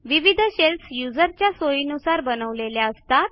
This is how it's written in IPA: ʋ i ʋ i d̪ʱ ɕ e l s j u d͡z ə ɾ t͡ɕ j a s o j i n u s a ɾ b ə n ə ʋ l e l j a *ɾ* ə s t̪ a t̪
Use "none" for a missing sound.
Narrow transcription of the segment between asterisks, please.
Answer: none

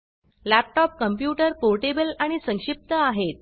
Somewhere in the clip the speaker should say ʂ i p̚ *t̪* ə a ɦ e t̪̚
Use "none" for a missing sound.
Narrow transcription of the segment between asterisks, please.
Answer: t̪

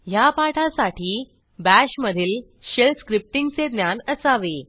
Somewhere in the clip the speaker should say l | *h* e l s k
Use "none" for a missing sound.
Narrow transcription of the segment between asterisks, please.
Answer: ɕ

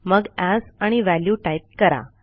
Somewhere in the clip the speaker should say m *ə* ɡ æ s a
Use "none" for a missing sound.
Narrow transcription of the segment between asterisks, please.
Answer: ə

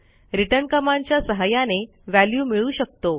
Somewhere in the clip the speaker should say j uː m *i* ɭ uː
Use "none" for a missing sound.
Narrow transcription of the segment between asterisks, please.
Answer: i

